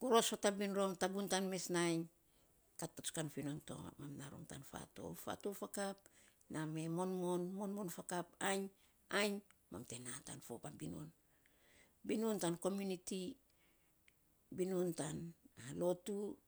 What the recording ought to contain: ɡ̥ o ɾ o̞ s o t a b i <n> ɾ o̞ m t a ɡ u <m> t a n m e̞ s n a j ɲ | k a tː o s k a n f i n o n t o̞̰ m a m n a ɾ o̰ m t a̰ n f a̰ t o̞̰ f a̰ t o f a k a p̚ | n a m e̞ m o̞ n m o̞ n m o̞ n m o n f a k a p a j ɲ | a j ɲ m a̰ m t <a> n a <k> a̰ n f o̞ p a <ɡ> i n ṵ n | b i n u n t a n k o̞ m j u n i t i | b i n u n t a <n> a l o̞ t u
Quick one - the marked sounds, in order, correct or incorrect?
correct, incorrect: n, incorrect: e, incorrect: t, incorrect: b, correct

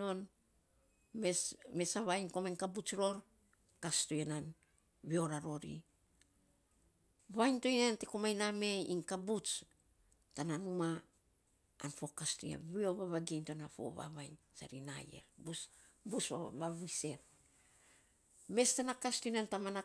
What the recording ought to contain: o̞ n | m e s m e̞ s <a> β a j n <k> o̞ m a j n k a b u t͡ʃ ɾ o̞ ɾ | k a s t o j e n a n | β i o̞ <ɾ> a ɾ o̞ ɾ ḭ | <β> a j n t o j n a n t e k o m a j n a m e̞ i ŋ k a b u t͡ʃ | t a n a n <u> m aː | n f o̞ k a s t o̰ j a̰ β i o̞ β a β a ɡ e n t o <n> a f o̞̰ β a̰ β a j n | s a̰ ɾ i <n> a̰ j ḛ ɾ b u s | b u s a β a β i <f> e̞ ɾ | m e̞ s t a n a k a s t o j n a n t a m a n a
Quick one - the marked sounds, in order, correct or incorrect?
correct, correct, correct, correct, correct, correct, correct, incorrect: s

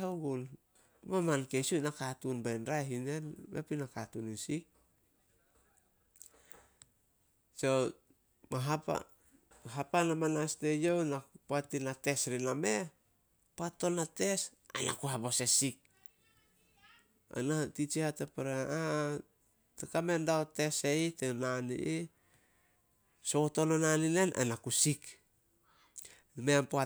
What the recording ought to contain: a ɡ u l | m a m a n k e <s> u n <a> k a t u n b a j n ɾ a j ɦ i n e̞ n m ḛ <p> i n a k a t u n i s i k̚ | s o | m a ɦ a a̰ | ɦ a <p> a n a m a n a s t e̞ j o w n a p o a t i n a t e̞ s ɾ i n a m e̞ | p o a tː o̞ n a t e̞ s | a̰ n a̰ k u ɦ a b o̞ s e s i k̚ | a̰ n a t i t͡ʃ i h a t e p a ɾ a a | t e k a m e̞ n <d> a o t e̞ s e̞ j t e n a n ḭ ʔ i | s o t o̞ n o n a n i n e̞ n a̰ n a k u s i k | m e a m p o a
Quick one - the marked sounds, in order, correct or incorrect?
correct, correct, correct, correct, correct

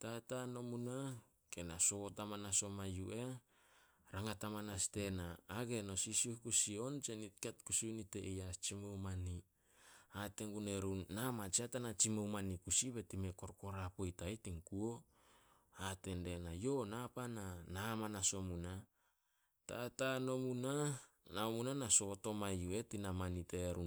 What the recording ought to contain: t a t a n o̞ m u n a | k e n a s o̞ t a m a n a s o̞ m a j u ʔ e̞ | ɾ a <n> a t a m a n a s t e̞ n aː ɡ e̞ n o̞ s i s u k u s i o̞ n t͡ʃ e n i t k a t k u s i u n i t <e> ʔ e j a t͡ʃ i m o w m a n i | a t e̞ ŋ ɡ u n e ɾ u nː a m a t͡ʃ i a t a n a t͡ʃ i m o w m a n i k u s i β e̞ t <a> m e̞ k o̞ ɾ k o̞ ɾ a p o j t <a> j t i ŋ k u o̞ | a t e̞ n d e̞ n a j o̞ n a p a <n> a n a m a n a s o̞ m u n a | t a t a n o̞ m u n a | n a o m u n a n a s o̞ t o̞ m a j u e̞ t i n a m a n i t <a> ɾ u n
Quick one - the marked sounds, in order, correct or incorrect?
incorrect: ŋ, correct, incorrect: i, correct, correct, incorrect: e

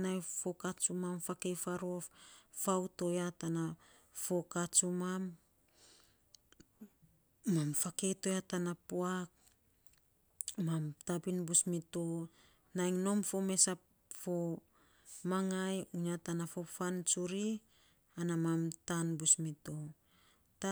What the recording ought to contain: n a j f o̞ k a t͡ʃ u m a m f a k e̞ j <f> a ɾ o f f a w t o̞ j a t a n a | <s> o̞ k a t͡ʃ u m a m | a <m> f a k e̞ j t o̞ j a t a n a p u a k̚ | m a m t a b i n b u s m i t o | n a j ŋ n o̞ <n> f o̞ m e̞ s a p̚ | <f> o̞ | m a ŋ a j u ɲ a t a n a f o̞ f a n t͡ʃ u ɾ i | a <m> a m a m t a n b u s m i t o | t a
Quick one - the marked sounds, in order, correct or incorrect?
correct, incorrect: f, correct, incorrect: m, correct, incorrect: n

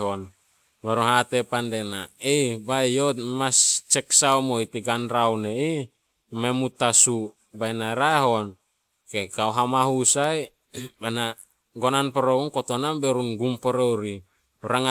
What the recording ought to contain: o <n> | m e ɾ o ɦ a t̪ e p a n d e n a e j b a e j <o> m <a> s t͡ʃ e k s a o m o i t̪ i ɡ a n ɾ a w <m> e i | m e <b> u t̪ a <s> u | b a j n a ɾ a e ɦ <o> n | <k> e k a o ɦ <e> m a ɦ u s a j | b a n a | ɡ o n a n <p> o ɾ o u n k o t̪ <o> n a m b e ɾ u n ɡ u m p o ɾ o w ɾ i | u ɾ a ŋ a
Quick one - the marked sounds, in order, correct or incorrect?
correct, correct, correct, incorrect: n, incorrect: m, correct, correct, correct, incorrect: a, correct, correct

